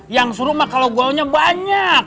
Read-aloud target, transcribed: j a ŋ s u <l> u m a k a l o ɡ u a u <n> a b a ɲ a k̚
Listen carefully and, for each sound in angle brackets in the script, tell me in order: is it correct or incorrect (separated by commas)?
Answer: incorrect, incorrect